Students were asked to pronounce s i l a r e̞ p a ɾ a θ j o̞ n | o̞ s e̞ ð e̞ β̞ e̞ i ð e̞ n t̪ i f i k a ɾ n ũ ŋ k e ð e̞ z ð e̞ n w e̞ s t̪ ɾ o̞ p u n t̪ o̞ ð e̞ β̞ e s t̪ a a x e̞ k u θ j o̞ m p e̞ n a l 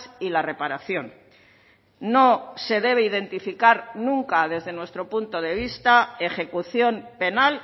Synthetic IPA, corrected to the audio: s i l a r e̞ p a ɾ a θ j o̞ n | o̞ s e̞ ð e̞ β̞ e̞ i ð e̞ n t̪ i f i k a ɾ n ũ ŋ k a ð e̞ z ð e̞ n w e̞ s t̪ ɾ o̞ p u n t̪ o̞ ð e̞ β̞ i s t̪ a e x e̞ k u θ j o̞ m p e̞ n a l